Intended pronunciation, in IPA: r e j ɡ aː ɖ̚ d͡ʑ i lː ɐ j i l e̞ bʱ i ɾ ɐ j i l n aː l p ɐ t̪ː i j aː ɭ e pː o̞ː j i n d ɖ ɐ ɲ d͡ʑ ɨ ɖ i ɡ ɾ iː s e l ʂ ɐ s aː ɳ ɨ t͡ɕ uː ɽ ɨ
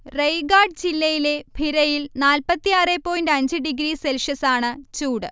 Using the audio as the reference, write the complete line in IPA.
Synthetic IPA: r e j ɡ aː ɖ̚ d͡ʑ i lː ɐ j i l e̞ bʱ i ɾ ɐ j i l n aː l p ɐ t̪ː i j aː r e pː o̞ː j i n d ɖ ɐ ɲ d͡ʑ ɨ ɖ i ɡ ɾ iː s e l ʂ ɐ s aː ɳ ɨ t͡ɕ uː ɽ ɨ